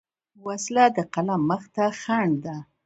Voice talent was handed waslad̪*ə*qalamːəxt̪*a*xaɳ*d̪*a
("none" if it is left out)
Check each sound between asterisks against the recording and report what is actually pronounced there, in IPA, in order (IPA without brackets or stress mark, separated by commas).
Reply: ə, a, d̪